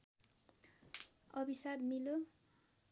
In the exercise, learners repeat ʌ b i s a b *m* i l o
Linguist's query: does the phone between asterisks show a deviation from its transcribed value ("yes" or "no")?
no